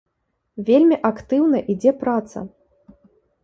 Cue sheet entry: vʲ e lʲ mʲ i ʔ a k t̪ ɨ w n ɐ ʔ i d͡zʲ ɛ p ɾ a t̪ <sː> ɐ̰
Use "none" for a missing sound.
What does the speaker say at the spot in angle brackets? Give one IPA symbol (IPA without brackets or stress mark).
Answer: s